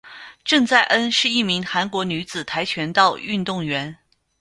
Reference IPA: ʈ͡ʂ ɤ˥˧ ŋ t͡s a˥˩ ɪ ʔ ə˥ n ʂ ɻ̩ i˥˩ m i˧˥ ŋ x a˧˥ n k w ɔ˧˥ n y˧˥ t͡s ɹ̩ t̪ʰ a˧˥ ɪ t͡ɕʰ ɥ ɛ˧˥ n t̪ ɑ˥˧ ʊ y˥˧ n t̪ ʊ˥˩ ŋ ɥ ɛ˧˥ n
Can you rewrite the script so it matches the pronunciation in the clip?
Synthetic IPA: ʈ͡ʂ ɤ˥˧ ŋ t͡s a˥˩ ɪ ʔ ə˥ n ʂ ɻ̩ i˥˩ m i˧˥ ŋ x a˧˥ n k w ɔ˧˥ n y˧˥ t͡s ɹ̩ t̪ʰ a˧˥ ɪ t͡ɕʰ ɥ ɛ˧˥ n t̪ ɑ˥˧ ʊ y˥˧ n t̪ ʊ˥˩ ŋ ɥ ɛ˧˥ n